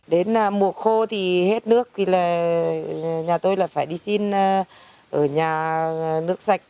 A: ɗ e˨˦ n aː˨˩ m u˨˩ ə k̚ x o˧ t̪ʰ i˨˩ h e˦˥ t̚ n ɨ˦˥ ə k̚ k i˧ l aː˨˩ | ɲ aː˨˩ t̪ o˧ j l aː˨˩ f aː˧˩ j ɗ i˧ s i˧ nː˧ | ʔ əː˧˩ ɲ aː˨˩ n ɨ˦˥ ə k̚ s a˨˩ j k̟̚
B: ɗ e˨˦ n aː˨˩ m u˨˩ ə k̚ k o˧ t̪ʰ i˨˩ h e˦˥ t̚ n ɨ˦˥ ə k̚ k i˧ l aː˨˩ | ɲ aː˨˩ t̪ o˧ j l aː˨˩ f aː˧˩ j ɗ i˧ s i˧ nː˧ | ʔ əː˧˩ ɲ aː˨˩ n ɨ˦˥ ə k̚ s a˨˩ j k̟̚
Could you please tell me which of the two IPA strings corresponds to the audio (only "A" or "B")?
A